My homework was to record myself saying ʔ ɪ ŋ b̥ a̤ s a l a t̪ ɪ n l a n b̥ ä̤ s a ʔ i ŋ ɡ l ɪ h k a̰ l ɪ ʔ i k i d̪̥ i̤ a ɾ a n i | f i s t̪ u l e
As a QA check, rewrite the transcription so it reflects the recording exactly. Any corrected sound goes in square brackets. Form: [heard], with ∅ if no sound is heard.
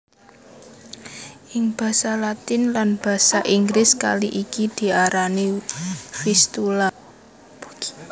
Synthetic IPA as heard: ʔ ɪ ŋ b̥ a̤ s a l a t̪ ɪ n l a n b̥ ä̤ s a ʔ i ŋ ɡ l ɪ [s] k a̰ l [i] ʔ i k i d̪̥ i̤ a ɾ a n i | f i s t̪ u l [a]